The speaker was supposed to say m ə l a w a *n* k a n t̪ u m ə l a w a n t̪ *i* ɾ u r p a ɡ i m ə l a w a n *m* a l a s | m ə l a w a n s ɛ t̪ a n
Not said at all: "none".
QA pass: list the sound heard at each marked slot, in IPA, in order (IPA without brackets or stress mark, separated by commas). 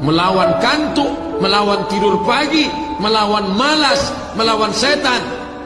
n, i, m